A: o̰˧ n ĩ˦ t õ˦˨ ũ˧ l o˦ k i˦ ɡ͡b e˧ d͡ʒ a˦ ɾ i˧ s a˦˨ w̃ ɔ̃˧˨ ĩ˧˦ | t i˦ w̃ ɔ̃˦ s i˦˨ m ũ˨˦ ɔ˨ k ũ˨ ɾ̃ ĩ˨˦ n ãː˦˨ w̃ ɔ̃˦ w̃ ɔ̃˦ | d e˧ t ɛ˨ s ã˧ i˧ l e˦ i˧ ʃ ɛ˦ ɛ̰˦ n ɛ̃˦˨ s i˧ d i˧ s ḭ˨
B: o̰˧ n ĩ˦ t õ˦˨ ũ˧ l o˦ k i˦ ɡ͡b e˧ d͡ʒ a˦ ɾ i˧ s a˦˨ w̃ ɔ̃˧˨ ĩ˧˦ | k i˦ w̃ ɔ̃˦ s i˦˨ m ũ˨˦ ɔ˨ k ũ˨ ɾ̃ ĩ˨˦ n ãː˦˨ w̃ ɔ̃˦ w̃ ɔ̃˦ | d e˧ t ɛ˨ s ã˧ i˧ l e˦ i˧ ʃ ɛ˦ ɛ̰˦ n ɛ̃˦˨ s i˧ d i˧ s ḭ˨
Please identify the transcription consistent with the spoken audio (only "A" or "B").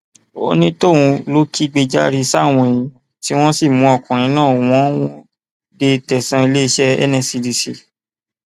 A